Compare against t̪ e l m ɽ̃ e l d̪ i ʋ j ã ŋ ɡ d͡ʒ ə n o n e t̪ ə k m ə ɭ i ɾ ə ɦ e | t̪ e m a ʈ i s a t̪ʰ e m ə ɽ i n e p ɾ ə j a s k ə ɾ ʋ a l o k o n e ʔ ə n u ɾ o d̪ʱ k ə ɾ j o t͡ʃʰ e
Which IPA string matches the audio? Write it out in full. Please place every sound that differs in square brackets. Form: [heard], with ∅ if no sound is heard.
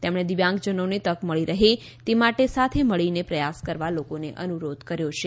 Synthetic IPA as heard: t̪ e [∅] m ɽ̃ e [∅] d̪ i ʋ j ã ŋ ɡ d͡ʒ ə n o n e t̪ ə k m ə ɭ i ɾ ə ɦ e | t̪ e m a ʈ [e] s a t̪ʰ e m ə [ɭ] i n e p ɾ ə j a s k ə ɾ ʋ a l o k o n e ʔ ə n u ɾ o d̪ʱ k ə ɾ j o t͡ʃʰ e